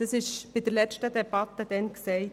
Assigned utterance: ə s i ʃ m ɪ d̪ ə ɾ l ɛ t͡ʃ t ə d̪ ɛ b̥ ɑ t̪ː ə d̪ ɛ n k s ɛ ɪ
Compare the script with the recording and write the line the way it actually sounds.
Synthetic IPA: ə s ɪ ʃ b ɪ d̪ ə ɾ l ɛ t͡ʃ t ə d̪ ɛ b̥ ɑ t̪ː ə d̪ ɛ n k s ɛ ɪ

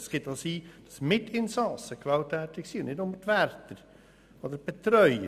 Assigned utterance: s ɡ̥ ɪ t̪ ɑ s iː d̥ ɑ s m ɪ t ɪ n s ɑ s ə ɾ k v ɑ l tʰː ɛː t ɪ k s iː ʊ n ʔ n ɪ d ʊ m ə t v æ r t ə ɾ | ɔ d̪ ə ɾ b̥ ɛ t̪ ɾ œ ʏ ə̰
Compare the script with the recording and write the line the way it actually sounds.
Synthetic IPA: s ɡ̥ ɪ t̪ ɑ s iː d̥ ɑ s m ɪ t ɪ n s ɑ s ə k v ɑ l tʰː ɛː t ɪ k s iː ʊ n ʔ n ɪ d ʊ m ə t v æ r t ə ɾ | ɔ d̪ ə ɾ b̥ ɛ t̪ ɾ œ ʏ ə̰

